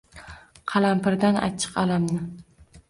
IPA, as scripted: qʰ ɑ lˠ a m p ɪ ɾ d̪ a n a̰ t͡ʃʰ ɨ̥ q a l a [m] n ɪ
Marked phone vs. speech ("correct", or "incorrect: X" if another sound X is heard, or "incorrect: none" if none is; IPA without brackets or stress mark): correct